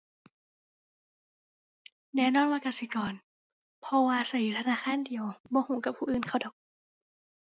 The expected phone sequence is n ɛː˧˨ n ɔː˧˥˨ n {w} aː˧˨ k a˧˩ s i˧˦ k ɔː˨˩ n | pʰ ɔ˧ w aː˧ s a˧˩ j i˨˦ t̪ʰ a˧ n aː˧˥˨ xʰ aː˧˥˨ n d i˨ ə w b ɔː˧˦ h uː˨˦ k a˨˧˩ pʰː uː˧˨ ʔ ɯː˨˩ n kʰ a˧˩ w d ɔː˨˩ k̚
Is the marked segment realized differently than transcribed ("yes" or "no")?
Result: no